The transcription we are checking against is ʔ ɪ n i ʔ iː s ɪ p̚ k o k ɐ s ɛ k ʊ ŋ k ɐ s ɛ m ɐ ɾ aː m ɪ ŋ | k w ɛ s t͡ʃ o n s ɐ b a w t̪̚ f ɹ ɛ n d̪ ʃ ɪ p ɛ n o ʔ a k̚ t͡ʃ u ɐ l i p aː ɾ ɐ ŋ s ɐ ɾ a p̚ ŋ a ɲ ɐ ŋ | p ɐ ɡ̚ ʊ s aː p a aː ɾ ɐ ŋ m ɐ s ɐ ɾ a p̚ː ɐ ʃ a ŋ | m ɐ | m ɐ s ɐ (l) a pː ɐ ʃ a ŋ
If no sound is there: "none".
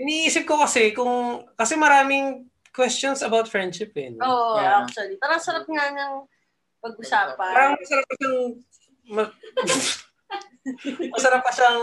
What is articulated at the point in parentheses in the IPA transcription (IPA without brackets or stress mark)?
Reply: ɾ